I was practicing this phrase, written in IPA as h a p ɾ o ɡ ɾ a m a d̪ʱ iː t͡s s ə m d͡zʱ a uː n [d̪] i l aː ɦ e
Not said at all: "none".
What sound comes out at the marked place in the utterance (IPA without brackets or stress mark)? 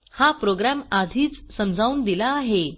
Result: d̪